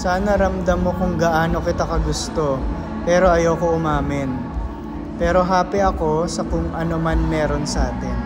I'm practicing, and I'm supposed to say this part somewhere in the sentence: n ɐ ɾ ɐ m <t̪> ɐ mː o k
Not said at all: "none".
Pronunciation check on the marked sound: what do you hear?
d̪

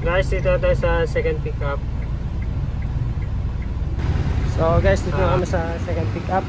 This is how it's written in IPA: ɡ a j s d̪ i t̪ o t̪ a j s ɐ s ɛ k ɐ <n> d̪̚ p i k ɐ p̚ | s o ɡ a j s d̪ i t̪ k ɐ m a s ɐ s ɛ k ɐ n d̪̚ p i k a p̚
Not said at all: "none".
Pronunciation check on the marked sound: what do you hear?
n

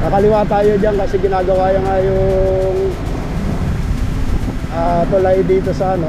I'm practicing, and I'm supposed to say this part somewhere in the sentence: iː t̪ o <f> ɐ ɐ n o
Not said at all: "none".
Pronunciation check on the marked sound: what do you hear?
s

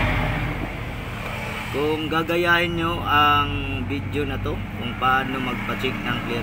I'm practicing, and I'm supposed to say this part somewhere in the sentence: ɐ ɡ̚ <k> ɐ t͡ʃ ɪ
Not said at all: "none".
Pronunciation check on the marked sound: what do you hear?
p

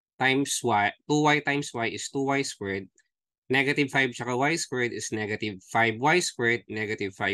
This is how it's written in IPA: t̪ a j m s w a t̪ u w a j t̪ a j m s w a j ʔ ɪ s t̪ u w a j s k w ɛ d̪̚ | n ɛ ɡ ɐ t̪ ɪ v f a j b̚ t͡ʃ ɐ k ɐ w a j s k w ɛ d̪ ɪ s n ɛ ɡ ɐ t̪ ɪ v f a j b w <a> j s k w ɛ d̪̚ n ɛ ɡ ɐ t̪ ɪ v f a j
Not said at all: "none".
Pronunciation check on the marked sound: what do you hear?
a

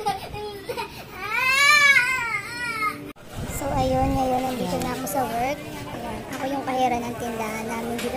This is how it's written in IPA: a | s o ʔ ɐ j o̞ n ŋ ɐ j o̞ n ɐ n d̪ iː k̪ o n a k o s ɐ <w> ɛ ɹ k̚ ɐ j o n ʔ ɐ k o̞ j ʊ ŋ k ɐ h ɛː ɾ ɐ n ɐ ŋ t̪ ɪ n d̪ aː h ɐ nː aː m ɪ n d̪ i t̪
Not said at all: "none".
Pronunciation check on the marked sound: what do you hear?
w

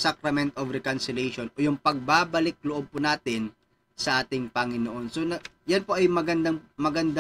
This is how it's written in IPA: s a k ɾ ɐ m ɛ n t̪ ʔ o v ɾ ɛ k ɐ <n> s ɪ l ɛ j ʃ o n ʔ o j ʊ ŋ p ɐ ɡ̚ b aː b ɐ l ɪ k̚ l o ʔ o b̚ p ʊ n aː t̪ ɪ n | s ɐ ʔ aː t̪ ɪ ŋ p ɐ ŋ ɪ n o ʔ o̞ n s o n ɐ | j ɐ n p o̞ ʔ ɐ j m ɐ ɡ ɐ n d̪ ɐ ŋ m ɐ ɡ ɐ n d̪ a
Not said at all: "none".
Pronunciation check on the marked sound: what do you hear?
n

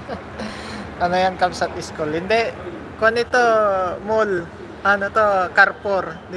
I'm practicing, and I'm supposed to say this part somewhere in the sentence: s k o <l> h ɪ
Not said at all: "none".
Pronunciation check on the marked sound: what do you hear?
l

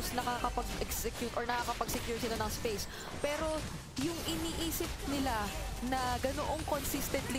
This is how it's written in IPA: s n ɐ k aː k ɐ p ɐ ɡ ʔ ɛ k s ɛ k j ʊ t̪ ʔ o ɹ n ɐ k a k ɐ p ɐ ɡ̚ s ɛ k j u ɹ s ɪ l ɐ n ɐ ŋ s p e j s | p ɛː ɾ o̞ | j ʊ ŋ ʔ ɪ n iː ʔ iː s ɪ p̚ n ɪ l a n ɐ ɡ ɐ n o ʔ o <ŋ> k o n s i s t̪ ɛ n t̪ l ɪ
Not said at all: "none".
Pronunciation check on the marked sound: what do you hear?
ŋ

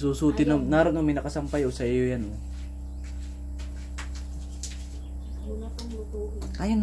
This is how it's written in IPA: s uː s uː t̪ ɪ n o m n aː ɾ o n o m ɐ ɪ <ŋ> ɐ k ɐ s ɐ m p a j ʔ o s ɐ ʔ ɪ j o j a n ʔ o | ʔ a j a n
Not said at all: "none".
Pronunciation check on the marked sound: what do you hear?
n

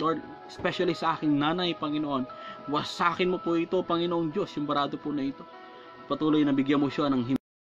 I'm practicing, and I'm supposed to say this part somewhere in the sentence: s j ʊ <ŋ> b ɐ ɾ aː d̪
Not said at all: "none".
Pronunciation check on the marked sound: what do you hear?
m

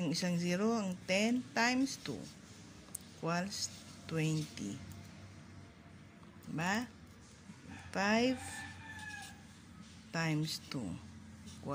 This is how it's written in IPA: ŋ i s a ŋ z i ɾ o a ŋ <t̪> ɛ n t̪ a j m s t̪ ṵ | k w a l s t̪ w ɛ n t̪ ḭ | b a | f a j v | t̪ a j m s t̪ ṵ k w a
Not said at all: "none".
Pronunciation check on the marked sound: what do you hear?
t̪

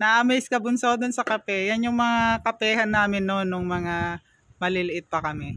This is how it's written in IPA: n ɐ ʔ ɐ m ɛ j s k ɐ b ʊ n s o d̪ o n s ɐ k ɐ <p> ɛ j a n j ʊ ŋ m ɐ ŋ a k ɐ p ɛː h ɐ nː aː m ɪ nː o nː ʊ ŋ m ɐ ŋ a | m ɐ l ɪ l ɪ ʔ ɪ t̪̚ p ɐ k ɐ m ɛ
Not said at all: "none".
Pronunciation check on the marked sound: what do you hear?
p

